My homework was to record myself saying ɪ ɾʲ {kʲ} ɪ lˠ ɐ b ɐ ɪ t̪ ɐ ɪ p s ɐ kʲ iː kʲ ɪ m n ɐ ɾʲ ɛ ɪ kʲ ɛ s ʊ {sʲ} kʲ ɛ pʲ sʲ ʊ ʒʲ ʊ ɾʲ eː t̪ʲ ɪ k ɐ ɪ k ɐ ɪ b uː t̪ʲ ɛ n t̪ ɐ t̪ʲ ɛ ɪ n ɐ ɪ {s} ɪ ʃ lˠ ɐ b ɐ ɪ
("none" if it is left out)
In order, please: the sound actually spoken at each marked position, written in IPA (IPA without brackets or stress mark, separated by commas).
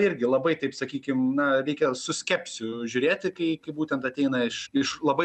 ɡʲ, sʲ, ʃ